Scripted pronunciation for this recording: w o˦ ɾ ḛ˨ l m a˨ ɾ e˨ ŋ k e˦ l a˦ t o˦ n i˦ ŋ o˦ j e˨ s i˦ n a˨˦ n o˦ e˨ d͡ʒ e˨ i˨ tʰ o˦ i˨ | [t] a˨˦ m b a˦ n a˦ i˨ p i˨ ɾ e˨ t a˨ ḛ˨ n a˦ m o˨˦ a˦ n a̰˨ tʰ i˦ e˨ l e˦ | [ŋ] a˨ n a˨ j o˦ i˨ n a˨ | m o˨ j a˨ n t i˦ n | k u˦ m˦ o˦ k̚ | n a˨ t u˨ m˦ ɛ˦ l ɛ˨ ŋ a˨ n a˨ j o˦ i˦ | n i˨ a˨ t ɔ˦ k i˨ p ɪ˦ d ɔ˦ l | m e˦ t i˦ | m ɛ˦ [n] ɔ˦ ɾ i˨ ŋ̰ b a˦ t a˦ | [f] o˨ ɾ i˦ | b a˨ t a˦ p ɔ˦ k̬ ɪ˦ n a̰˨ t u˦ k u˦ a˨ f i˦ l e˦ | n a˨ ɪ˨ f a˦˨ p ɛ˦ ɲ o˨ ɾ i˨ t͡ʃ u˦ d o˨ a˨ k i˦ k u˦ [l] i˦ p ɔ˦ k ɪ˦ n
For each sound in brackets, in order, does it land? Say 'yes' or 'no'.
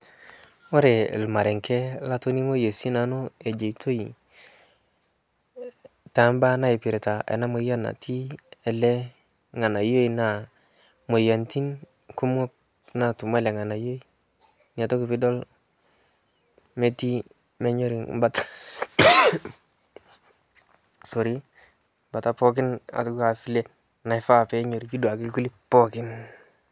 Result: yes, yes, no, no, yes

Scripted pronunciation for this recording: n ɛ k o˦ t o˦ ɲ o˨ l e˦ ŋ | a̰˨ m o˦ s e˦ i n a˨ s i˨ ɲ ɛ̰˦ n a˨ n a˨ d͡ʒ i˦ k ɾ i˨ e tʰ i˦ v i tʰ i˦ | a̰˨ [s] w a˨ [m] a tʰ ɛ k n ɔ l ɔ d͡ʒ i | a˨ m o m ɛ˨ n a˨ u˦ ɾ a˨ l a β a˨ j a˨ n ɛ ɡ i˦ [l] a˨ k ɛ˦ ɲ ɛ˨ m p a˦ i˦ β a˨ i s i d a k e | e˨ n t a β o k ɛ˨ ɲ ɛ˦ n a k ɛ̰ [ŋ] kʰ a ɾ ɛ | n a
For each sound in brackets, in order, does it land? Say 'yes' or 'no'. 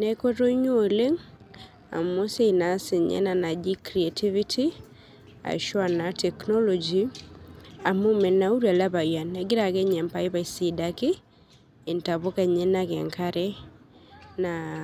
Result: no, no, no, yes

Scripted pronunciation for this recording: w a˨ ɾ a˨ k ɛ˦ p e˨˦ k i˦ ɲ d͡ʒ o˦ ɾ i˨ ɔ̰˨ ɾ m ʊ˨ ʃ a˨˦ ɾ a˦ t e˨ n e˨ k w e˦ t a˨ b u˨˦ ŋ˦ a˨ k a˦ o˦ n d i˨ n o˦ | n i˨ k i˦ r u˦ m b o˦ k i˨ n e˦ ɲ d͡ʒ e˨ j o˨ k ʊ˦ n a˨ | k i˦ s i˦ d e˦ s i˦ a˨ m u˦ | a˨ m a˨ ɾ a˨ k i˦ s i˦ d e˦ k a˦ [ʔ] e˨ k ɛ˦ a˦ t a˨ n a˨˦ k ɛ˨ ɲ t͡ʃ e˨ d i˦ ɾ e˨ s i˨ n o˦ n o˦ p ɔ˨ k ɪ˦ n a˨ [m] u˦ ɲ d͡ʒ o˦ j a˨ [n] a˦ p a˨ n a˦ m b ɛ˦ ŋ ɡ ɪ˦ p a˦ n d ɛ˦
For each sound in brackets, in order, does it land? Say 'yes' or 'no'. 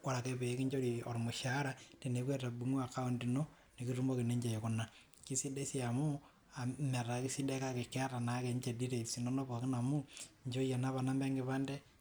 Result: no, yes, yes

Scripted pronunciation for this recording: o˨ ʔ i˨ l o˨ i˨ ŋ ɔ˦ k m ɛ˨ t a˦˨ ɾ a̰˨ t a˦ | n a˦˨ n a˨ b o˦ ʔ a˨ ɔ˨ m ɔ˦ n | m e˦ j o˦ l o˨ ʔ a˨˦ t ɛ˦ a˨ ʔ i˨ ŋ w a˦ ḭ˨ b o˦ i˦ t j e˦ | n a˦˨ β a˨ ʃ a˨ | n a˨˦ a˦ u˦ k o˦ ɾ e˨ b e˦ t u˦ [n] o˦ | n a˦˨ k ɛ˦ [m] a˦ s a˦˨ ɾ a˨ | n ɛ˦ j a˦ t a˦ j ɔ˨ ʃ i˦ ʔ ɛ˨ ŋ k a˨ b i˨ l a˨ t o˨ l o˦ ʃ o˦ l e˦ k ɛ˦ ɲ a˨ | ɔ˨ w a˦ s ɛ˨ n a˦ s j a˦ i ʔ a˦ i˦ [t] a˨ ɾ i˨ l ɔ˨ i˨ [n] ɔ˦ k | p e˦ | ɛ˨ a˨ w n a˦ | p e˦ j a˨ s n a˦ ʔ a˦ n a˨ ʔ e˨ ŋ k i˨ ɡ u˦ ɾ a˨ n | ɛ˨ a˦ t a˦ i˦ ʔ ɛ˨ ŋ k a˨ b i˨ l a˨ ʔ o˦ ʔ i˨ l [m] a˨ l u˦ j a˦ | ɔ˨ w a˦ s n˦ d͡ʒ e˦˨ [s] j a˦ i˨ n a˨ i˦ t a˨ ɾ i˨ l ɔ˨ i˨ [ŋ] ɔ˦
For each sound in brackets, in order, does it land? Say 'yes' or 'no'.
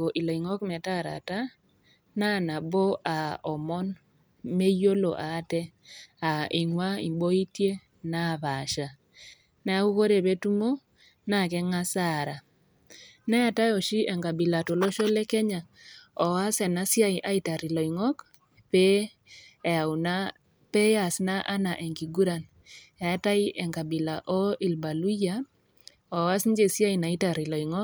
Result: no, no, yes, no, no, yes, yes

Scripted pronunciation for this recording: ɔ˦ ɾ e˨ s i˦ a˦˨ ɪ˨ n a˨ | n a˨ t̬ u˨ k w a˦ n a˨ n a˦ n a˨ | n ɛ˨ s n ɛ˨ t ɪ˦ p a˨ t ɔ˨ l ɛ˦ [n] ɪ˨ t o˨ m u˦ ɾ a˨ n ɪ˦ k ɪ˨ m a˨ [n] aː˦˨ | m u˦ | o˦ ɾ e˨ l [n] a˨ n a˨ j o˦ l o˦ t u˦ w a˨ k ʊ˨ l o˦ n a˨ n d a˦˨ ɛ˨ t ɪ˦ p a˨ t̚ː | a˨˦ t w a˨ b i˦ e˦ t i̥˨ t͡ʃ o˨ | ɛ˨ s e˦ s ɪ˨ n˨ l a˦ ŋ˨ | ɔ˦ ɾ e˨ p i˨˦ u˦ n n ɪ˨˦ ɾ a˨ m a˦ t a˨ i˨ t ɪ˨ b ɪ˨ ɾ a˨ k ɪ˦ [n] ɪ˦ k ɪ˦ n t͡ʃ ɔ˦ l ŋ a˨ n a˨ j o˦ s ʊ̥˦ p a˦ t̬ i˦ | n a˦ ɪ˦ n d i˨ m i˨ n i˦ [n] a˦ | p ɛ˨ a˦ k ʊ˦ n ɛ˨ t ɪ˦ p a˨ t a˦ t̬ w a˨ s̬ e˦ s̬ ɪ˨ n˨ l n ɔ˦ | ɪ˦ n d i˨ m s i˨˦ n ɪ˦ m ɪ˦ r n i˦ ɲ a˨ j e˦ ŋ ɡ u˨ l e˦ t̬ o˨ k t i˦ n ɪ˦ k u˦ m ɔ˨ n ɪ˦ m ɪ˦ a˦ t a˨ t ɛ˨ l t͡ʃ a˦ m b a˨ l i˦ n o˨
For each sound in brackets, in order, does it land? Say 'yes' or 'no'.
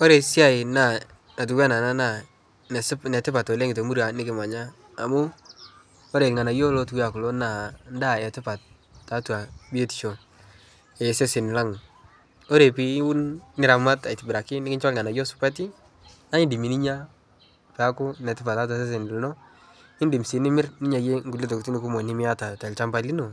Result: no, no, no, yes, no

